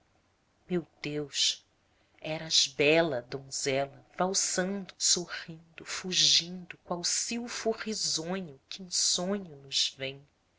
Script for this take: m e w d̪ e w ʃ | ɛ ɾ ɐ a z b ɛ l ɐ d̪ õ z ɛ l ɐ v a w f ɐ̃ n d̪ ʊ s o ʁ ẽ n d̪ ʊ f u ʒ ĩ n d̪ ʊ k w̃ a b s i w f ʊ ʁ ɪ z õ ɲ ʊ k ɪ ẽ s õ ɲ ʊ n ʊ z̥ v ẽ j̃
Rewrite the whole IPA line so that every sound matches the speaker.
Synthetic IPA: m e w d̪ e w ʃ | ɛ ɾ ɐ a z b ɛ l ɐ d̪ õ z ɛ l ɐ v a w s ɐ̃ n d̪ ʊ s o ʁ ĩ n d̪ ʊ f u ʒ ĩ n d̪ ʊ k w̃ a w s i w f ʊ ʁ i z õ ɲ ʊ k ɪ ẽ s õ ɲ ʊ n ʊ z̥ v ẽ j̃